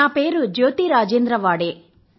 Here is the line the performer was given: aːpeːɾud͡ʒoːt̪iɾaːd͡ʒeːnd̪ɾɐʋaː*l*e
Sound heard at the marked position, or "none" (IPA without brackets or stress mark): ɽ